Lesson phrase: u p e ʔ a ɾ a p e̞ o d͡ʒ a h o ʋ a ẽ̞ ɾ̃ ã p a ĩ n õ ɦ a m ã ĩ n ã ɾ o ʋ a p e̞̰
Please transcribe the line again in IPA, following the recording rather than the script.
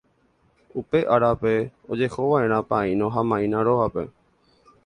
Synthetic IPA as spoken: u p e ʔ a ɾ a p e̞ o d͡ʒ e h o ʋ a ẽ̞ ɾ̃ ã p a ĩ n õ ɦ a m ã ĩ n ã ɾ o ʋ a p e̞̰